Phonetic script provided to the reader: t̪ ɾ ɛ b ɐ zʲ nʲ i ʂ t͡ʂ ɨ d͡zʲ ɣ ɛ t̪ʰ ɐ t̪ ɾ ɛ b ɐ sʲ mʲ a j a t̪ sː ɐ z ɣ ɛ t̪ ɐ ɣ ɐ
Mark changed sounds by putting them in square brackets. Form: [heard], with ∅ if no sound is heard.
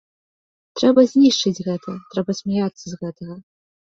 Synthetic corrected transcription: t̪ ɾ ɛ b ɐ zʲ nʲ i ʂ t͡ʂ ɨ d͡zʲ ɣ ɛ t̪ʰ ɐ t̪ ɾ ɛ b ɐ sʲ mʲ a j a t̪ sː ɐ z ɣ ɛ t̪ ɐ ɣ ɐ